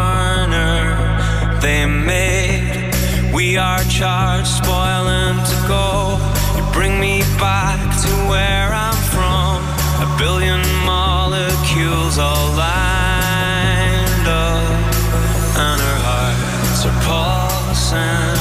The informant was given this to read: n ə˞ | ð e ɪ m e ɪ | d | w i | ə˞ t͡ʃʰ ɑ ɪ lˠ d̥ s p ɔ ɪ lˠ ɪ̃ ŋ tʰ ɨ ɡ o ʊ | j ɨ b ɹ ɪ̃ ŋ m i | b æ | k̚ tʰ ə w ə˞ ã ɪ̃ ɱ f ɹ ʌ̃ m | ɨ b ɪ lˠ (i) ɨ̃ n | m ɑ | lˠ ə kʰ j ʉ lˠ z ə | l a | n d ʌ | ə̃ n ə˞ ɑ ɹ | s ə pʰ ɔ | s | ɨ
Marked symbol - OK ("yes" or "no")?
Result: no